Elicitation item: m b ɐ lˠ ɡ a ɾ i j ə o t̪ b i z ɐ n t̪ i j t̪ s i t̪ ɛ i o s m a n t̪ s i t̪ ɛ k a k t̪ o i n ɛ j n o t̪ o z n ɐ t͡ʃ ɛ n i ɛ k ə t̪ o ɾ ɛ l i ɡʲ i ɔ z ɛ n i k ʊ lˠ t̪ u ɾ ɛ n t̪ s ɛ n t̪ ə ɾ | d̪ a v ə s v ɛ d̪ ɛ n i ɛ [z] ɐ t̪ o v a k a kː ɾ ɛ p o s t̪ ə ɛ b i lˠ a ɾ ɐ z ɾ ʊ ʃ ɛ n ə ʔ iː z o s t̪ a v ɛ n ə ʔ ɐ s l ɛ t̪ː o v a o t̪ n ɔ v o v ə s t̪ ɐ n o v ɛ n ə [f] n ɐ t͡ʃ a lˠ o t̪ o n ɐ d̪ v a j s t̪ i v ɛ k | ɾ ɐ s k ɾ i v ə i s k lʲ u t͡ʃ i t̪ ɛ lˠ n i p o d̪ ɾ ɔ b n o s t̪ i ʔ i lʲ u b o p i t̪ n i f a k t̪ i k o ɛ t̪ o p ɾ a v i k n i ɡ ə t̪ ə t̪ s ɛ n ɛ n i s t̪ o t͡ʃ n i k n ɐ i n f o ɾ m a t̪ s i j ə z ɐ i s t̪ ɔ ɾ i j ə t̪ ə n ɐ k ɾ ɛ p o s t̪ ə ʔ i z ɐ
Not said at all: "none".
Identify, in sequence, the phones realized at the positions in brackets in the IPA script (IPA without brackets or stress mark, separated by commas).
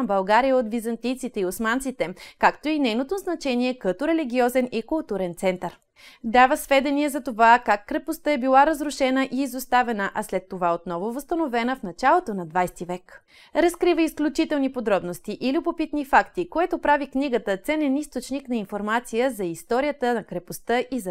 z, f